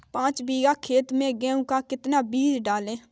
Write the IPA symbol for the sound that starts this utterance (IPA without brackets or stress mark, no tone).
p